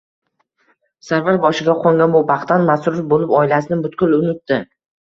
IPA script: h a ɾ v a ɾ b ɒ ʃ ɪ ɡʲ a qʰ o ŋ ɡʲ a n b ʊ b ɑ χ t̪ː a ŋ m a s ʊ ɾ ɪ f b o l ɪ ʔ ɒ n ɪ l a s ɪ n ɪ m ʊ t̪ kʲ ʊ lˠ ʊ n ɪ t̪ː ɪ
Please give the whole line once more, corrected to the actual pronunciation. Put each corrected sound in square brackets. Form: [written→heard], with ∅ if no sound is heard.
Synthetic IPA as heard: [h→s] a ɾ v a ɾ b ɒ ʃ ɪ ɡʲ a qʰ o ŋ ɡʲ a n b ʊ b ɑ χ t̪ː a [ŋ→n] m a s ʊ ɾ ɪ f b o l ɪ [ʔ→p] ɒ [n→∅] ɪ l a s ɪ n ɪ [m→b] ʊ t̪ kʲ ʊ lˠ ʊ n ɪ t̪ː ɪ